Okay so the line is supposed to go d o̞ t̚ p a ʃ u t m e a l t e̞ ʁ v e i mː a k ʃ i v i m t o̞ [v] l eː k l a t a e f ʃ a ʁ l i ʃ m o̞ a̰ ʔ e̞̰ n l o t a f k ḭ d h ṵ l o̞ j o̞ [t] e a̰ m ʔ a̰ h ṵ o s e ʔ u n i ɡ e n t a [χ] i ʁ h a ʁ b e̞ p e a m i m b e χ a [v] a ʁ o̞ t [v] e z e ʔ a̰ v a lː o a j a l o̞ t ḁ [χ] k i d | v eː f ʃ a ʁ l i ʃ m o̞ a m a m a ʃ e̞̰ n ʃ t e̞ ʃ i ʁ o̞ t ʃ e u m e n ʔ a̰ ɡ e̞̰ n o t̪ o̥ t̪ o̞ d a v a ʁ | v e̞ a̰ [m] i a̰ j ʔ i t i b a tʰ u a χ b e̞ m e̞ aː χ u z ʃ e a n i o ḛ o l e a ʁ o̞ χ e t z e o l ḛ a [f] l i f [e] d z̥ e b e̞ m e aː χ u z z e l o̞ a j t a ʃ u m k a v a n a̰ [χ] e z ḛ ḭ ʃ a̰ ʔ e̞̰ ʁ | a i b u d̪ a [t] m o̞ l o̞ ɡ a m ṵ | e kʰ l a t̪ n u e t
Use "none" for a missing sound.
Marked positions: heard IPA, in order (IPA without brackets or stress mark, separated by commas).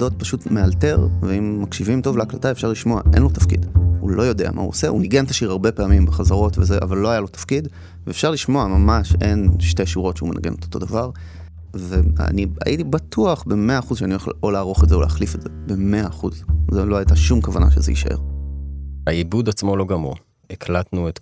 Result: v, d, ʃ, z, v, f, n, χ, e, ʃ, t͡s